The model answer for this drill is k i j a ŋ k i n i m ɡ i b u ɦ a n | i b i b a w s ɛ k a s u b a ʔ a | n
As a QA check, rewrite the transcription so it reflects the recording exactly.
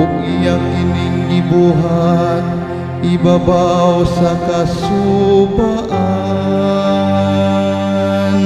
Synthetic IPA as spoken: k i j a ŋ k i n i ŋ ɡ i b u ɦ a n | i b a b a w s a k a s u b a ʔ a | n